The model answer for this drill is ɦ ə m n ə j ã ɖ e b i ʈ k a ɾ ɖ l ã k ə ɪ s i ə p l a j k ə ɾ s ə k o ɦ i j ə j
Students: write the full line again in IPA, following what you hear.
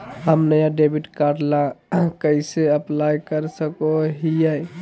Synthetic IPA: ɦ ə m n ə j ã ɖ e b i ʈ k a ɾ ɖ l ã k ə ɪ s e ə p l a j k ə ɾ s ə k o ɦ i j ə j